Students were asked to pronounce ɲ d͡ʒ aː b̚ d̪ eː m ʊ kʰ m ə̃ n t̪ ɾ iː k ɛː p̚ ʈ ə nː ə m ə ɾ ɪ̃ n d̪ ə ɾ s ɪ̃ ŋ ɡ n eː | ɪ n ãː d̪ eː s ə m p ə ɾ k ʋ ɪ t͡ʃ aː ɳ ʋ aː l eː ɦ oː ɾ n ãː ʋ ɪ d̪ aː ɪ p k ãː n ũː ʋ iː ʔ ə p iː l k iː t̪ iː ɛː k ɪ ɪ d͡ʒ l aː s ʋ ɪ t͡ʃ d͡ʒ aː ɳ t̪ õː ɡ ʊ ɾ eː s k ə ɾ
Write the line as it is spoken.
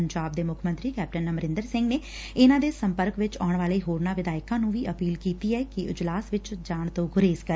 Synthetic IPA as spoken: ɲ d͡ʒ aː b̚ d̪ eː m ʊ kʰ m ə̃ n t̪ ɾ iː k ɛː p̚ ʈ ə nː ə m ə ɾ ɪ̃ n d̪ ə ɾ s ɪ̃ ŋ ɡ n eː | ɪ n ãː d̪ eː s ə m p ə ɾ k ʋ ɪ t͡ʃ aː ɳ ʋ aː l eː ɦ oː ɾ n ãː ʋ ɪ d̪ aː ɪ k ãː n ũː ʋ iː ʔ ə p iː l k iː t̪ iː ɛː k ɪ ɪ d͡ʒ l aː s ʋ ɪ t͡ʃ d͡ʒ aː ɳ t̪ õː ɡ ʊ ɾ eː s k ə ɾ